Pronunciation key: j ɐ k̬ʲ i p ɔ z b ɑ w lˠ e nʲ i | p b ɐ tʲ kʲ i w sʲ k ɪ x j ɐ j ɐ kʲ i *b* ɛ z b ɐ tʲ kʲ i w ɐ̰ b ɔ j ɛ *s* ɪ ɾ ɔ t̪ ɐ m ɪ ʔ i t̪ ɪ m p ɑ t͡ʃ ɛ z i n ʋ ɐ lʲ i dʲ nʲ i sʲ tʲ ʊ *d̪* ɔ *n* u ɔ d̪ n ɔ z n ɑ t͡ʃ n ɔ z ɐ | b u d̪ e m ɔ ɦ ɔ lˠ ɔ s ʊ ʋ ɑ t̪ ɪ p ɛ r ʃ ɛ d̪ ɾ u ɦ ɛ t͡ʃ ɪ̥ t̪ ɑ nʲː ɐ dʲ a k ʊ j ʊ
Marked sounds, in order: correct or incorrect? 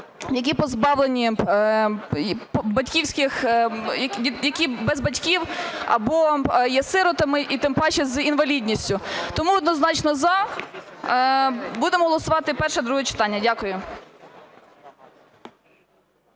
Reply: correct, correct, incorrect: t̪, incorrect: m

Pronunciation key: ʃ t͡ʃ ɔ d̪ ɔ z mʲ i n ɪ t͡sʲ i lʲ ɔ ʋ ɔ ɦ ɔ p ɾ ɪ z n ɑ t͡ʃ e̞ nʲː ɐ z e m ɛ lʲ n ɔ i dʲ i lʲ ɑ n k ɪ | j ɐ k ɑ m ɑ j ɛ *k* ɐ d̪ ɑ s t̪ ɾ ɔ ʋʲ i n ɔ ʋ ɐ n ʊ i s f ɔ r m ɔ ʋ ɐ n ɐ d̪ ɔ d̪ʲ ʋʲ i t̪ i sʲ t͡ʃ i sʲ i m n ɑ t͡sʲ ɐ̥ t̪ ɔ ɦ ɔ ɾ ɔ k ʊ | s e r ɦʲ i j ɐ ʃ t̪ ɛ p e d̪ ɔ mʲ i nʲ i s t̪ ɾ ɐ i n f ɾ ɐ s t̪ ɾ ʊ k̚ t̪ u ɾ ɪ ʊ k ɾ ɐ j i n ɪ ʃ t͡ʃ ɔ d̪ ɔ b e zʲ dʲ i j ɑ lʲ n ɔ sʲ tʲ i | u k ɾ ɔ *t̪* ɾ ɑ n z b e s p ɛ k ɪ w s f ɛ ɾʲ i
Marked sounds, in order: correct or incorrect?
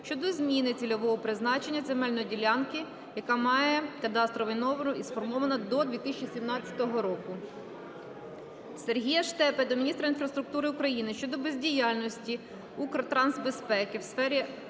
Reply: correct, correct

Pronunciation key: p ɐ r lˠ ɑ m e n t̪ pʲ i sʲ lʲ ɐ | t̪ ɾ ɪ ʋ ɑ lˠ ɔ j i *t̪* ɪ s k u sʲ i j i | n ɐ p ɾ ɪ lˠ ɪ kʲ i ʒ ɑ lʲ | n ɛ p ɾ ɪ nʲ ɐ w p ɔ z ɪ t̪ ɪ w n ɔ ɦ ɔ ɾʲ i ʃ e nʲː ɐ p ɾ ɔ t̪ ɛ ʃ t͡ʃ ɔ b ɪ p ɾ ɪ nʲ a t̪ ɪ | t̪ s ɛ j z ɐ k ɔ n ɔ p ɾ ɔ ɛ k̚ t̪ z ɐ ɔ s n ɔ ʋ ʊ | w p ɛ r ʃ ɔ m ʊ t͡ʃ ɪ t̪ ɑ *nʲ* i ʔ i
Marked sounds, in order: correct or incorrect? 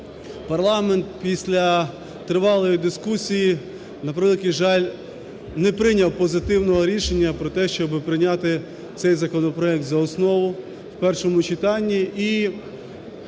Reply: incorrect: d̪, incorrect: nʲː

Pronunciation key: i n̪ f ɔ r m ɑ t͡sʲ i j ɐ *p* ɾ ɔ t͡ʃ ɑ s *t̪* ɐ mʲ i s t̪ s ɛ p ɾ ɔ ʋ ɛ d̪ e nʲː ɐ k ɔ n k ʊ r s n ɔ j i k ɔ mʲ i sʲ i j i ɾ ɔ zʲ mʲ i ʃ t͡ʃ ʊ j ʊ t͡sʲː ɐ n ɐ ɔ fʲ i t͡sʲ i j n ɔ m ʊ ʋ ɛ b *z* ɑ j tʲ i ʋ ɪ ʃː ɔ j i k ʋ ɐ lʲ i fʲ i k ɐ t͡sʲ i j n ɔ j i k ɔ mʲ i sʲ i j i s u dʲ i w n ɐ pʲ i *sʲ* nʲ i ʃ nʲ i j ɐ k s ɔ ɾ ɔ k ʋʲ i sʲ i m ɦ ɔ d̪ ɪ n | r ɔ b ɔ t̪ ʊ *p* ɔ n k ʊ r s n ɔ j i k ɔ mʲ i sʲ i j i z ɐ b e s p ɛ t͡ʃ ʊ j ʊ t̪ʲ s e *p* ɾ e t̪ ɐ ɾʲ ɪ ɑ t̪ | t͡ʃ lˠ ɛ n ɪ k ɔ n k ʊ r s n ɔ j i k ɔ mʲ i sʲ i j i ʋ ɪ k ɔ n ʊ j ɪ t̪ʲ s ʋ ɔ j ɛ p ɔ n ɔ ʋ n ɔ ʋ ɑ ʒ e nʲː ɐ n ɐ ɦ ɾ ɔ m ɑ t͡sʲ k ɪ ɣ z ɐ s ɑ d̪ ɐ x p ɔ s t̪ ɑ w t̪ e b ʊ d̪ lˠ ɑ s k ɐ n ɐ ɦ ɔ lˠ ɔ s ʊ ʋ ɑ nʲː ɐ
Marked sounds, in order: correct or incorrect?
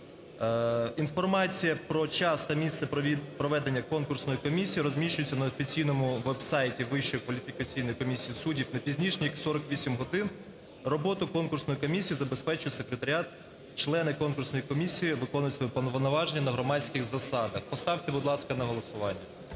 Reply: correct, correct, incorrect: s, incorrect: zʲ, incorrect: k, incorrect: k

